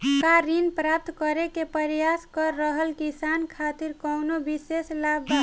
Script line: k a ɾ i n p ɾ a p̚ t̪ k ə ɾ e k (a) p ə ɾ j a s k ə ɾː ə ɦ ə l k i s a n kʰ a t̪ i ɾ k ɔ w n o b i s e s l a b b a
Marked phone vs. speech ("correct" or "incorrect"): incorrect